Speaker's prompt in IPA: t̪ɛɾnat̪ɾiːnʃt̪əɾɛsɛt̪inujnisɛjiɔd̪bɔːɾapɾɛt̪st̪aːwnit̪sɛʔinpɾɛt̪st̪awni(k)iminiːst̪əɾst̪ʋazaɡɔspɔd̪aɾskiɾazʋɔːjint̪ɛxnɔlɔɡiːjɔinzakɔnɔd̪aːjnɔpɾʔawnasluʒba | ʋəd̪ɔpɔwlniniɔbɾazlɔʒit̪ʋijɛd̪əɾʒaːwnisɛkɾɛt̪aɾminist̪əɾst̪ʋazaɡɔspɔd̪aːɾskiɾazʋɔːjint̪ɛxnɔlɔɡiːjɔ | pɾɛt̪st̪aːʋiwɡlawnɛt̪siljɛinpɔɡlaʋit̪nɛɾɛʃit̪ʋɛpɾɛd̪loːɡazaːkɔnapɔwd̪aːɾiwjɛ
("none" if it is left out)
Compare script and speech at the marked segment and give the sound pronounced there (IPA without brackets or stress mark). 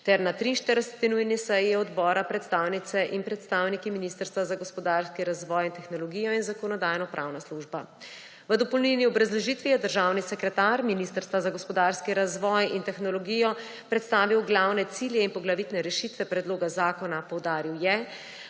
k